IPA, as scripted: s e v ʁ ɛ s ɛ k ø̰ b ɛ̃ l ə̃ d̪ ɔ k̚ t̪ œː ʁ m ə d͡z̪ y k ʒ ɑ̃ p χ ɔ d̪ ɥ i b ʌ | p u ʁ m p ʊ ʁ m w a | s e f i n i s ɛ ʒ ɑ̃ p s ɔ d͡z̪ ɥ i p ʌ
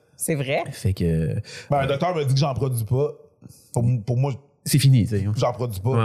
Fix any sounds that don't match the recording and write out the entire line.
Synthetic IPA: s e v ʁ ɛ f ɛ k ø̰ b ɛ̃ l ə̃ d̪ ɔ k̚ t̪ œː ʁ m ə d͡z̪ i k ʒ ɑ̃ p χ ɔ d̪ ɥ i p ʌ | p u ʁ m p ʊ ʁ m w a | s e f i n i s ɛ ʒ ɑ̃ p χ ɔ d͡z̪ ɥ i p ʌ